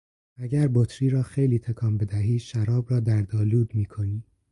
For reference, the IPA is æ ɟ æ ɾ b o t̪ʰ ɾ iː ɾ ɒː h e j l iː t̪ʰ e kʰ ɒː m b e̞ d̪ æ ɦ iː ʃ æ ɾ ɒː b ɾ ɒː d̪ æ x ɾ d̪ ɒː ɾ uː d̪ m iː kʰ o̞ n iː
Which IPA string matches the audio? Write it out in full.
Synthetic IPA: æ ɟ æ ɾ b o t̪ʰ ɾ iː ɾ ɒː x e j l iː t̪ʰ e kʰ ɒː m b e̞ d̪ æ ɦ iː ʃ æ ɾ ɒː b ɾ ɒː d̪ æ ɾ d̪ ɒː l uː d̪ m iː kʰ o̞ n iː